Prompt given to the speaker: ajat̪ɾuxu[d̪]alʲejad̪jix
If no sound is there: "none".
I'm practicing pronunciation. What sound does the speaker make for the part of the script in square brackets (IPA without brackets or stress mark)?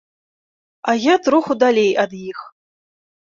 d̪